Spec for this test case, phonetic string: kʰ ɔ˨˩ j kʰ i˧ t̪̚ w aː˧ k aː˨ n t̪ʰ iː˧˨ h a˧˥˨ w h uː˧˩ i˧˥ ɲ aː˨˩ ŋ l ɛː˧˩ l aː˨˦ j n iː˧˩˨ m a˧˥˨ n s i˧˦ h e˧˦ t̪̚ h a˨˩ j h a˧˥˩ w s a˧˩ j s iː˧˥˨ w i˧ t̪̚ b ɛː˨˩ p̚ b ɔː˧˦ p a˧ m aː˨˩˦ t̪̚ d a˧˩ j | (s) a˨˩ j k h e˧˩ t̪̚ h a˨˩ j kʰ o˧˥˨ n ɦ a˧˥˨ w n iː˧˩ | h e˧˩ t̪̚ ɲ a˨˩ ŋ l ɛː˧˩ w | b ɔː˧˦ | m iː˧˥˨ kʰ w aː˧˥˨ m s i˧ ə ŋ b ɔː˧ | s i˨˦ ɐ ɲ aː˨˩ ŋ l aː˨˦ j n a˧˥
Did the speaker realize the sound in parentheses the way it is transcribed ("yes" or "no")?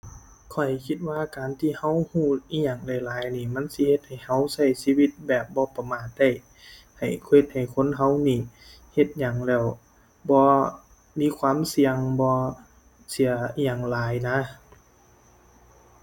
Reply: no